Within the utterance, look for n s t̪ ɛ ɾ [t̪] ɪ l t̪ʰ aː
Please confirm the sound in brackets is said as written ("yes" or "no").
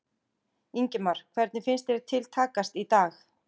no